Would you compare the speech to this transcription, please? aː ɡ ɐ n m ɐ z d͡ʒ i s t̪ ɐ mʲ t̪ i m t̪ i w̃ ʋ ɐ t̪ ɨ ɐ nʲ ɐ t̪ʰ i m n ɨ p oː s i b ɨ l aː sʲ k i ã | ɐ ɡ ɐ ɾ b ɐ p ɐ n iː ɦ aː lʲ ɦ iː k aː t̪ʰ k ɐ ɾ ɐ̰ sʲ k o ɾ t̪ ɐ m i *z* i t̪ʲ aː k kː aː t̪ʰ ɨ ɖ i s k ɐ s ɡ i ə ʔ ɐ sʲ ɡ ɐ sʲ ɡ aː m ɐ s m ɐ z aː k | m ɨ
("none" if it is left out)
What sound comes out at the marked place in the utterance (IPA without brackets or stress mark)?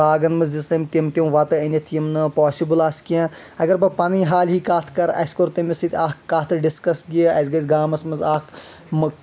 s